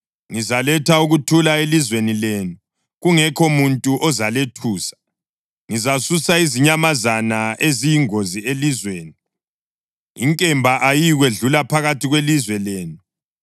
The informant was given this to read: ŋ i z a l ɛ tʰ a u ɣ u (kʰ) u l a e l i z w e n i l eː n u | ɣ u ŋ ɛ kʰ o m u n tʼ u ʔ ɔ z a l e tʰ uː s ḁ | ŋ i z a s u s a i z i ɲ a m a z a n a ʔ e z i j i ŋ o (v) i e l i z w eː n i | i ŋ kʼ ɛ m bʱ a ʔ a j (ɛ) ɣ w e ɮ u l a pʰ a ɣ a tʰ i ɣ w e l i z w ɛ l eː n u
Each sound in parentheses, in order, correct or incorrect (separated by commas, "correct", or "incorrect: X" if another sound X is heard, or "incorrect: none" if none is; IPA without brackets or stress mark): incorrect: tʰ, incorrect: z, incorrect: i